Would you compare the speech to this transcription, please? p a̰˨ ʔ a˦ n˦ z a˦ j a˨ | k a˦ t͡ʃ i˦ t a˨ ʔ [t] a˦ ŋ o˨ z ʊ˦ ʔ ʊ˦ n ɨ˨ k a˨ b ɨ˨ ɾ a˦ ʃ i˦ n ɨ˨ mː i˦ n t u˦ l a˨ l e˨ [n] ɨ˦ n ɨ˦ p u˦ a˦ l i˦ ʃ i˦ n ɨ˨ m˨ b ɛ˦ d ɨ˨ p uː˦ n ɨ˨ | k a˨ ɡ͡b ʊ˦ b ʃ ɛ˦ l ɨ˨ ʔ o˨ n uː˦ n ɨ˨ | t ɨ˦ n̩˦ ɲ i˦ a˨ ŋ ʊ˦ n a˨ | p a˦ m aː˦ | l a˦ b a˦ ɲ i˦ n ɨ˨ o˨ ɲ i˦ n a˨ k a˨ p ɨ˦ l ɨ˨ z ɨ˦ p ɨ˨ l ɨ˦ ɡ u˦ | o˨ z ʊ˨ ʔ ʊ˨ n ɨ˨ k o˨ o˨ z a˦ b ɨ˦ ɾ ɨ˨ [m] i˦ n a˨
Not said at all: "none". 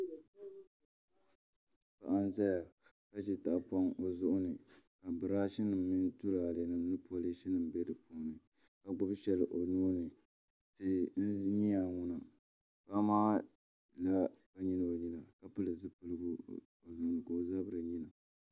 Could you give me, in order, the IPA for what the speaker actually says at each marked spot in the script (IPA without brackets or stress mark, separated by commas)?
p, n, ɲ